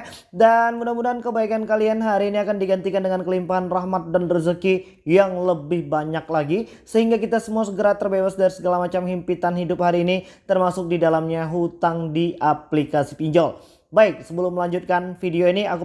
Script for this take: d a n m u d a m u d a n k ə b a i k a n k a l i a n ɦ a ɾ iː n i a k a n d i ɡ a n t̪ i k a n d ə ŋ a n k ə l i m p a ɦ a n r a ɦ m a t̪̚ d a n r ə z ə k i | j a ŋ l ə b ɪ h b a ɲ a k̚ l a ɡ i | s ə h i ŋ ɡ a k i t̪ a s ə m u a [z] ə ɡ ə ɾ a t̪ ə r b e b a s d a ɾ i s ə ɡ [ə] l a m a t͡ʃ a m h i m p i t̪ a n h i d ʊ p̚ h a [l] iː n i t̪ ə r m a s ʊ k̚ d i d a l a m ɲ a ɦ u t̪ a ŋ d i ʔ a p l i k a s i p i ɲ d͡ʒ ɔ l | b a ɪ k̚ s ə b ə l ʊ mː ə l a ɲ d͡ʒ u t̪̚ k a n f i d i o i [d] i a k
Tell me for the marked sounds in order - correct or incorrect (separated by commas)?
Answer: incorrect, incorrect, incorrect, incorrect